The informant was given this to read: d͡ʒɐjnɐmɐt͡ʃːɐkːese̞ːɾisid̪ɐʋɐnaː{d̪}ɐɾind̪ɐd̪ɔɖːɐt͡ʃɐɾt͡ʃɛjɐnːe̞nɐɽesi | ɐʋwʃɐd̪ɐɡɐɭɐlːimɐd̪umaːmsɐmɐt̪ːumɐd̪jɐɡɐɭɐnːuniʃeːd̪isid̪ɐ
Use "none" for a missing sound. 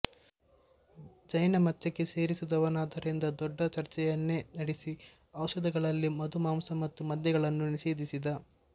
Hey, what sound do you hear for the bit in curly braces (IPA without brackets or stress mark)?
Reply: d̪